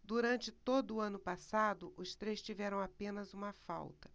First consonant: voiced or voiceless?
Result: voiced